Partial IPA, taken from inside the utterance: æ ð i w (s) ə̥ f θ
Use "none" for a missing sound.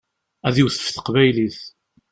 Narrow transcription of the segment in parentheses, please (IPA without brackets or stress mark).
θ